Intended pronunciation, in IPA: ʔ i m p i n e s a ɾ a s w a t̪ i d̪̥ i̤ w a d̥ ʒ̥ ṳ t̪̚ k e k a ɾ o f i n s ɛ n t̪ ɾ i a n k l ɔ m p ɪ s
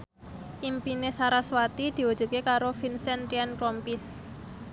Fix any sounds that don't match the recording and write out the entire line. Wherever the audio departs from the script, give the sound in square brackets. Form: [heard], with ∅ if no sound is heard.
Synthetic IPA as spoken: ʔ i m p i n e s a ɾ a s w a t̪ i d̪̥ i̤ w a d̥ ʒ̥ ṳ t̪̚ k e k a ɾ o f i n s ɛ n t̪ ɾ i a n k [ɾ] ɔ m p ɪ s